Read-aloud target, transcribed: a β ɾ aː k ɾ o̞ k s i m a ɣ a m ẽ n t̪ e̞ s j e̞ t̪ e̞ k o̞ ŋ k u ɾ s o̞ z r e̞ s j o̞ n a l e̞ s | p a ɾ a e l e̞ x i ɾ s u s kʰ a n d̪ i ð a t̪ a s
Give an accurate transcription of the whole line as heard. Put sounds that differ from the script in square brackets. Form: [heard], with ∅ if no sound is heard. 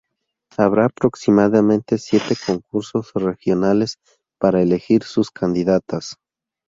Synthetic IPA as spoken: a β ɾ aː [p] ɾ o̞ k s i m a [ð] a m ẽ n t̪ e̞ s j e̞ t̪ e̞ k o̞ ŋ k u ɾ s o̞ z r e̞ [x] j o̞ n a l e̞ s | p a ɾ a e l e̞ x i ɾ s u s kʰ a n d̪ i ð a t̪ a s